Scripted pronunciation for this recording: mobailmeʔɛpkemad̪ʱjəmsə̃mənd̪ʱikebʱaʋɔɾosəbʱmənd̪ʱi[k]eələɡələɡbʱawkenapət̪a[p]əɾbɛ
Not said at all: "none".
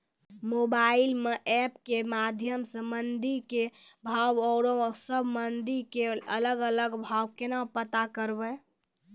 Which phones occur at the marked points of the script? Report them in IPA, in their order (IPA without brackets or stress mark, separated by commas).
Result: k, k